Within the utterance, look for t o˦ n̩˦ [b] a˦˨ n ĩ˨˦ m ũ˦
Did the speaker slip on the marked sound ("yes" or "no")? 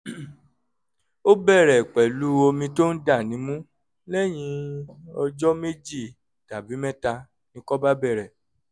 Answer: yes